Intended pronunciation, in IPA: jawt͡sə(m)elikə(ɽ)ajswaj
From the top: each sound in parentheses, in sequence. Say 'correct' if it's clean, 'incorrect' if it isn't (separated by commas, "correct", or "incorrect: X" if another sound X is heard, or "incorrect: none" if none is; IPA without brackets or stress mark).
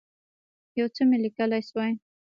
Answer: correct, incorrect: l